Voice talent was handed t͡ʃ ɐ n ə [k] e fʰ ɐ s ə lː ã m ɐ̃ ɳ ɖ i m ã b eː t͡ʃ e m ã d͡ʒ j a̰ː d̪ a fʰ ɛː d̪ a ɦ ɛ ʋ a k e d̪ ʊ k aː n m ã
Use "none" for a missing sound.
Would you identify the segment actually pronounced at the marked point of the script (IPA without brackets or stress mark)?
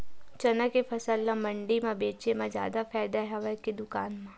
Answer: k